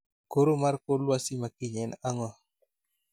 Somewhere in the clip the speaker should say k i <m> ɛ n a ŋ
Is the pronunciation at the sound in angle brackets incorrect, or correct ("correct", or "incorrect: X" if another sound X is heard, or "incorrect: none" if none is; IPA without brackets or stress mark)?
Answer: incorrect: ɲ